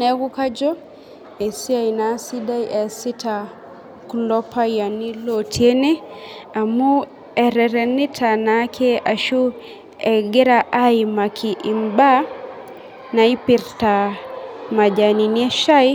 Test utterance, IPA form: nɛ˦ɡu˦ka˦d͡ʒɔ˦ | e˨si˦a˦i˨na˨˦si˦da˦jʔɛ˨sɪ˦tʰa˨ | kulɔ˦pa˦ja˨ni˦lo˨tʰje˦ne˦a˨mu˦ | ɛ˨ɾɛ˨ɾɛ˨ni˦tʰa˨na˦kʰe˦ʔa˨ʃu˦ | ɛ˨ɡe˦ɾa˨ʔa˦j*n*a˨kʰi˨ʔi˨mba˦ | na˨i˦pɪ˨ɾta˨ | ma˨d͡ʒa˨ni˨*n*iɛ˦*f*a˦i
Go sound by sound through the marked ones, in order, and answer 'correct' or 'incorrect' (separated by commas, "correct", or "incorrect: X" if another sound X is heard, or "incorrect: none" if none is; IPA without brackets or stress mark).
incorrect: m, correct, incorrect: ʃ